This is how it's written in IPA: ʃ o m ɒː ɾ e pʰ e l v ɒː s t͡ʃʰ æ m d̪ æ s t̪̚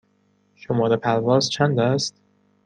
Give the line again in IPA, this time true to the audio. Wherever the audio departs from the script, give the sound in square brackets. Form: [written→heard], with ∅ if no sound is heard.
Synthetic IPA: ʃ o m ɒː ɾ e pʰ [e→æ] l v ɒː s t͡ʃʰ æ [m→n] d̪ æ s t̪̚